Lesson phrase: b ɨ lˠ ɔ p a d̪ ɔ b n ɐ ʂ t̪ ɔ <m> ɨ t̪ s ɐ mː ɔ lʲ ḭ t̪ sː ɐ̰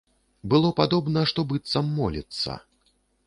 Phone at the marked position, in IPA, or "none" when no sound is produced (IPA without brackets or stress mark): b